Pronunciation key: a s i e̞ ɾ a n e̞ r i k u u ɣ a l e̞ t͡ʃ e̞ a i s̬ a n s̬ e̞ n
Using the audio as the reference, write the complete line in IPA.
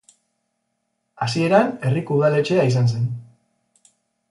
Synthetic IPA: a s i e̞ ɾ a n e̞ r i k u u ð a l e̞ t͡ʃ e̞ a i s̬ a n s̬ e̞ n